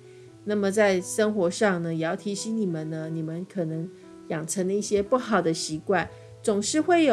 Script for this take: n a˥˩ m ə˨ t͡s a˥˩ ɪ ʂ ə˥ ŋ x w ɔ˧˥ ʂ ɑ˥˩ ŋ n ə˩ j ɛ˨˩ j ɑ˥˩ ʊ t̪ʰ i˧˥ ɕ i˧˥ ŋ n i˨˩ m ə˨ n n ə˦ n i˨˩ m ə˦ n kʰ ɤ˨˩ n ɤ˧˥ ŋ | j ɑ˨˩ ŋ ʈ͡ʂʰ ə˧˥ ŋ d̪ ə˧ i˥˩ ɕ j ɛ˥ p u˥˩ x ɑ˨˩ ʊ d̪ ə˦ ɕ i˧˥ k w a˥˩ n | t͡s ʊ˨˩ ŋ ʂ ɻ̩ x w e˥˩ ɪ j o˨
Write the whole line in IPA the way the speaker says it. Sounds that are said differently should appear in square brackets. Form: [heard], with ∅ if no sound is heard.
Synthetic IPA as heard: n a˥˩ m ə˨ t͡s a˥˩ ɪ ʂ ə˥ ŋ x w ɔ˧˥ ʂ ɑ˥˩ ŋ n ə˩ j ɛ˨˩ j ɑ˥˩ ʊ t̪ʰ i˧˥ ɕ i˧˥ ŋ n i˨˩ m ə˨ n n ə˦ n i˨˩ m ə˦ n kʰ ɤ˨˩ n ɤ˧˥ ŋ | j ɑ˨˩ ŋ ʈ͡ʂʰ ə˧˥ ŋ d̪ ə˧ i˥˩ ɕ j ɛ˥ p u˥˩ x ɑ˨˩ ʊ d̪ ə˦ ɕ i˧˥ k w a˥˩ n | t͡s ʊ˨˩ ŋ ʂ ɻ̩ x w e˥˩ ɪ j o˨